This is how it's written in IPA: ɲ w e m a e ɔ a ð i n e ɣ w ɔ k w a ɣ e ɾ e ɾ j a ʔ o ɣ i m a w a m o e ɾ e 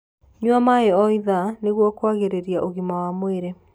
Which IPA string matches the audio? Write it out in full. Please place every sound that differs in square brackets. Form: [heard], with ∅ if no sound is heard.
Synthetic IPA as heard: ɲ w [a] m a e ɔ [i] ð [a] n e ɣ w ɔ k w a ɣ e ɾ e ɾ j a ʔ o ɣ i m a w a m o e ɾ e